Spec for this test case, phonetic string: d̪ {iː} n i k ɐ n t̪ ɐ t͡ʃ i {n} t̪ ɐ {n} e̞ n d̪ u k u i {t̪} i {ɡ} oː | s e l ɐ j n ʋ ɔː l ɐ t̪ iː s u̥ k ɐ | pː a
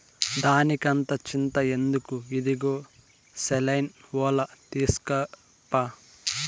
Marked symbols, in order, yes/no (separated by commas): no, yes, no, no, yes